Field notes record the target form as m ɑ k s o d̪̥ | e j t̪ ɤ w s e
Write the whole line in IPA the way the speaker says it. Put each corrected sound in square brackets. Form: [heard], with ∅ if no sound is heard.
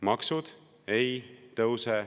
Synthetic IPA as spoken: m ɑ k s [u] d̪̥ | e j t̪ ɤ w s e